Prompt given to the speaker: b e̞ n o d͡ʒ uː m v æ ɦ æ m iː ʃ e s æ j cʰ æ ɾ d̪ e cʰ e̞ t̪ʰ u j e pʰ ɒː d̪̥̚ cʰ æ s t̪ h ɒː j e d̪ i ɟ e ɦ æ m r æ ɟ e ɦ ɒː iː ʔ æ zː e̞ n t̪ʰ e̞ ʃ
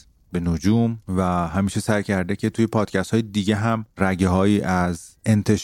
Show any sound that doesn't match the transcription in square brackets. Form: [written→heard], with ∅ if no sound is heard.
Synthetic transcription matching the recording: b e̞ n o d͡ʒ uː m v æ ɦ æ m iː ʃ e s æ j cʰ æ ɾ d̪ e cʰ e̞ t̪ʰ u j e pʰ ɒː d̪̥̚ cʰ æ s t̪ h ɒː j e d̪ i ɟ e ɦ æ m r æ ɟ e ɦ ɒː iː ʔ æ [zː→z] e̞ n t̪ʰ e̞ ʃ